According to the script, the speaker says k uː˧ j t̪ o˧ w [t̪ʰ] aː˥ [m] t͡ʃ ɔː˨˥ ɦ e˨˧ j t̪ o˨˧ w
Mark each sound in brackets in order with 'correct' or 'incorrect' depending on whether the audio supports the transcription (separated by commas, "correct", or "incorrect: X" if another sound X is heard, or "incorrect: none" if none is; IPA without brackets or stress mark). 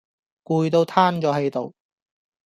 correct, incorrect: n